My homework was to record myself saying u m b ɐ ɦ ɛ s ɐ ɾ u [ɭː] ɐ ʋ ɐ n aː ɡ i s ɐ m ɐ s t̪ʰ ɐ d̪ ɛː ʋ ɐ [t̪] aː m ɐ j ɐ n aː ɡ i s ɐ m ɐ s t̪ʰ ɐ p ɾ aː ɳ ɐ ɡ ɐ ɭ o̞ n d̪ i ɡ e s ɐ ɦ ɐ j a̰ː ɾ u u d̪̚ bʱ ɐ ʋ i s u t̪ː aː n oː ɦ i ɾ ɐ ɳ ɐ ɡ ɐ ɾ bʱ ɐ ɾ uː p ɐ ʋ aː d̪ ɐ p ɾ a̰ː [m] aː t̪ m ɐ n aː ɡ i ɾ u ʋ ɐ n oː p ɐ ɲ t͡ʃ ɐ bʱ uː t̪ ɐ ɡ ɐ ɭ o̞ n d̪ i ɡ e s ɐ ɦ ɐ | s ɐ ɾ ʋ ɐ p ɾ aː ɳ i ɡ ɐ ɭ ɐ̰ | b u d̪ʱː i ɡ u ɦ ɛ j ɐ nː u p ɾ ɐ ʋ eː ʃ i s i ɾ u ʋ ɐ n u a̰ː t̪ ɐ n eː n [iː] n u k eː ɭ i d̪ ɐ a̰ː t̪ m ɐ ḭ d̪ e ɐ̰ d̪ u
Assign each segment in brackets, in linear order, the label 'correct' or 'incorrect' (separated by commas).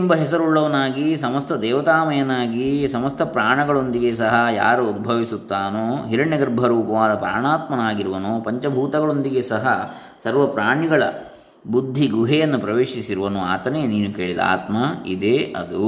correct, correct, incorrect, correct